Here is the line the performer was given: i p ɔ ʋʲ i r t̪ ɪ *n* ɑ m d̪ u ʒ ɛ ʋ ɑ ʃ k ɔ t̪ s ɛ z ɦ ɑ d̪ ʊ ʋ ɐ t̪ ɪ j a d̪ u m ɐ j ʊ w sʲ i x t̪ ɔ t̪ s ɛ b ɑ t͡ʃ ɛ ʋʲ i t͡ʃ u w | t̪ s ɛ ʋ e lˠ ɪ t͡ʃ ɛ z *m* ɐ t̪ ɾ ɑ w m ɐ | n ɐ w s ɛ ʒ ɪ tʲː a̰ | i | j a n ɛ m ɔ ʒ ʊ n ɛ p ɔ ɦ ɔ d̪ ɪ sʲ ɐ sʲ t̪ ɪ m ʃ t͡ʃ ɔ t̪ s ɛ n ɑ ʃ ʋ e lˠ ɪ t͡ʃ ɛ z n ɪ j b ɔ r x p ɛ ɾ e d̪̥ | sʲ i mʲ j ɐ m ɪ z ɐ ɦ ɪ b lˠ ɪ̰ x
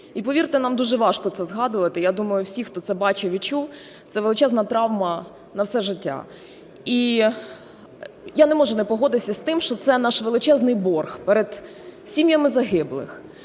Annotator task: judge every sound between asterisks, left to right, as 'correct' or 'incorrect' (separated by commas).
correct, incorrect